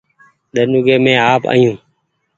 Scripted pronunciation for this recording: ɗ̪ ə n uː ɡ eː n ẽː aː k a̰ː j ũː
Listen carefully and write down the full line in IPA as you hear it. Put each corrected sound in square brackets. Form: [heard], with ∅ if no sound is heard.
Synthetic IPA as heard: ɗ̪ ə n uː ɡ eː [m] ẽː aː [p] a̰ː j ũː